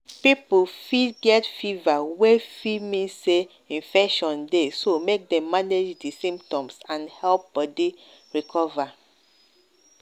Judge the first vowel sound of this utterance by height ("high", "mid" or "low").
high